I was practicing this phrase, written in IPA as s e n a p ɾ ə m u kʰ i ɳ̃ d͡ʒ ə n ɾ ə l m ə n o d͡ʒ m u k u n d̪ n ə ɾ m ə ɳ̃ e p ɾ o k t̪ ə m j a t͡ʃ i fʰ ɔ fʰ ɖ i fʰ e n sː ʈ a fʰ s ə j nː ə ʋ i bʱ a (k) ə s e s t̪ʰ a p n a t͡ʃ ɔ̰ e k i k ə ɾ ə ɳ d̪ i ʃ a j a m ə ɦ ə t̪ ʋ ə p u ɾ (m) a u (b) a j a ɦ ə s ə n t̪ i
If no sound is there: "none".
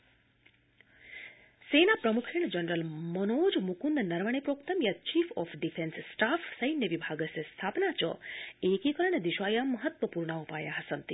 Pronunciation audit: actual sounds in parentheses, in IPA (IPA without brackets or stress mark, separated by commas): ɡ, ɳ, p